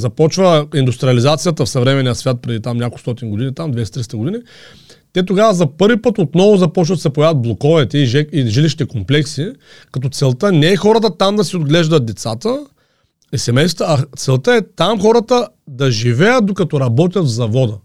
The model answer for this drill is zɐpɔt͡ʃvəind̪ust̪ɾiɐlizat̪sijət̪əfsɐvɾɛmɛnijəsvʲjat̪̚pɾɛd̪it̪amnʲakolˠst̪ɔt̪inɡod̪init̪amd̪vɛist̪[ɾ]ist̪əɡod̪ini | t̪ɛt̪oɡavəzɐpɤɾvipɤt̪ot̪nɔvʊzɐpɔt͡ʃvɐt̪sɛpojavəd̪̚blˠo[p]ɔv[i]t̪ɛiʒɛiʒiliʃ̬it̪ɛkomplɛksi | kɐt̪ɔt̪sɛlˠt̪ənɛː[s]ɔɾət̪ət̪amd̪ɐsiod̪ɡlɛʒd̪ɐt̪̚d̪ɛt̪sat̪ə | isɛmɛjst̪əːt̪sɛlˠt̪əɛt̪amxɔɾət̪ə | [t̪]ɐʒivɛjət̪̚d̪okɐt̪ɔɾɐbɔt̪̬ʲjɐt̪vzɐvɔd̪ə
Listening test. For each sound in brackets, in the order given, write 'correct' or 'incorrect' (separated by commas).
correct, incorrect, incorrect, incorrect, incorrect